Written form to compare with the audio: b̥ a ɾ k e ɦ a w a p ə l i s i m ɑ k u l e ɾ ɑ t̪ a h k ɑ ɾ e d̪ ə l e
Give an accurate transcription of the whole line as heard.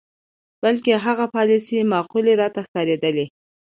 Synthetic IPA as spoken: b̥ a l k e ɦ a ɣ a p ɑ l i s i m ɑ q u l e ɾ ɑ t̪ a x k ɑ ɾ e d̪ ə l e